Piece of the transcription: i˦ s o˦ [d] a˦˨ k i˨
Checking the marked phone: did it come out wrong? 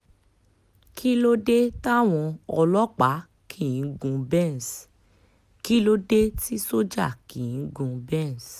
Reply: yes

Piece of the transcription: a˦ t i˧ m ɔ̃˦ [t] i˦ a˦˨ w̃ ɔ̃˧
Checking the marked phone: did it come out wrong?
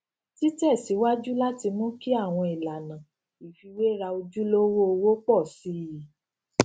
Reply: yes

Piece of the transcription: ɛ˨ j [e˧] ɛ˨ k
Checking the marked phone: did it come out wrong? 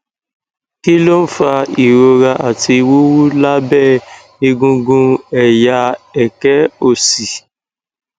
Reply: yes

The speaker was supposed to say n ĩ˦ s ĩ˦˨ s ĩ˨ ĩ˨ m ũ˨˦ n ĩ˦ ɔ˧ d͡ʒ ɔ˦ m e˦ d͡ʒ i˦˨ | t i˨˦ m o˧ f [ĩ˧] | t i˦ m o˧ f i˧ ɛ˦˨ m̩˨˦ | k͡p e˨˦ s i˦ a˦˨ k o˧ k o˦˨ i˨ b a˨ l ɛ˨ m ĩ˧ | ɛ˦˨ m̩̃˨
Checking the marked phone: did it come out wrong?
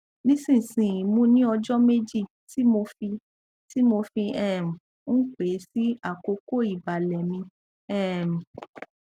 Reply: yes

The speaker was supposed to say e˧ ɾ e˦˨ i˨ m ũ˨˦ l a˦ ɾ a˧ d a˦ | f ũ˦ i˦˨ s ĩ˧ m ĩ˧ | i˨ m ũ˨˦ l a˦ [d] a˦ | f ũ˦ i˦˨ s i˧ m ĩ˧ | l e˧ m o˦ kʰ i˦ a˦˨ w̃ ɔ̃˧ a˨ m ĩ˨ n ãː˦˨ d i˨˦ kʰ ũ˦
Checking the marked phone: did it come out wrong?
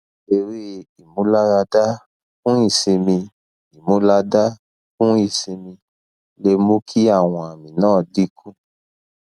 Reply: no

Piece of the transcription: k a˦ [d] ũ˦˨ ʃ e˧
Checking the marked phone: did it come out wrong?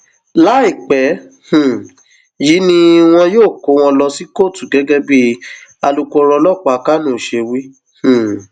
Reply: yes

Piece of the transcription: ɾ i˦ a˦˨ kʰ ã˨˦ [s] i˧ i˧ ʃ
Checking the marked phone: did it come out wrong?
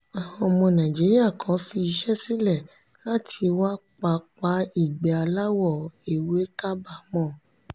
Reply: yes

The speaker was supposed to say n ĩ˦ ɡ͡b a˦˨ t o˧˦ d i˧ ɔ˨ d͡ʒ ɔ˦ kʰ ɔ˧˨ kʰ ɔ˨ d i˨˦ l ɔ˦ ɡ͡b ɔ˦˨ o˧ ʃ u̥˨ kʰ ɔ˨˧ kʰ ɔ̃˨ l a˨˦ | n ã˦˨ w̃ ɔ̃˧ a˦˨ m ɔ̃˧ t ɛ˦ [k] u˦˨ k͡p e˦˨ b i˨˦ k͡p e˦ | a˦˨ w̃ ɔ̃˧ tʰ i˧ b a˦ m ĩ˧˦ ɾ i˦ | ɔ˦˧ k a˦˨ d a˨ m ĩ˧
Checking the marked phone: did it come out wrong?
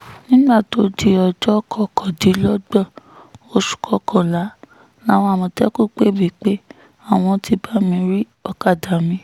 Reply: no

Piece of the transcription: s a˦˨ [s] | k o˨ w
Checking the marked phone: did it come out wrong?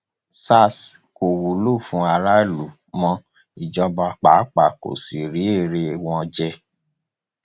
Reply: no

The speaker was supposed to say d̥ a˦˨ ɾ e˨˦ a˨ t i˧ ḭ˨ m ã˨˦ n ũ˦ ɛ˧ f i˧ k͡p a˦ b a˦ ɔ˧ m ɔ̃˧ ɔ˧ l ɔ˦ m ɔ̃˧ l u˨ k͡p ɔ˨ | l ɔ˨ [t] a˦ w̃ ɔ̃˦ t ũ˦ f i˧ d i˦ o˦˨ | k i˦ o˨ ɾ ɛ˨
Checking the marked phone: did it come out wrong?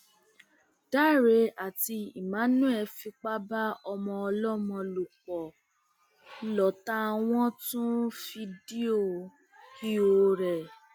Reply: no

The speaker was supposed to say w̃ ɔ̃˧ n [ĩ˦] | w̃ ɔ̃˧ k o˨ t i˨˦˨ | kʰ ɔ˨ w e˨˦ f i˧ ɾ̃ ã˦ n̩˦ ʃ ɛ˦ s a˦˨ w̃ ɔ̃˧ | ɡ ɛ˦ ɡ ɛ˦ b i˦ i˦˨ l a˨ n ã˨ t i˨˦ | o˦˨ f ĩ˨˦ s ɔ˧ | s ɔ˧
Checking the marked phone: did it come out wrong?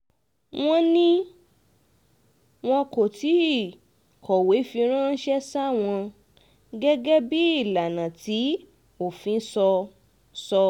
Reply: no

